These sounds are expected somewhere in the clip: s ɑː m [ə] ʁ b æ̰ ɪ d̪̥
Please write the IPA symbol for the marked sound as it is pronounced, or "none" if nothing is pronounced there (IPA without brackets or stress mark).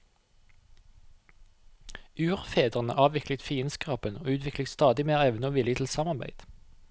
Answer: ɑ